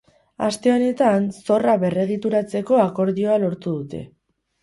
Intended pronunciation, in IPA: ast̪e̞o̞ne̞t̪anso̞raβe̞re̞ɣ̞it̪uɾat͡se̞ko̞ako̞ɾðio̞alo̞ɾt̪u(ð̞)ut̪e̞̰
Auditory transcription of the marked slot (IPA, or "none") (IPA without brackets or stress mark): ð̞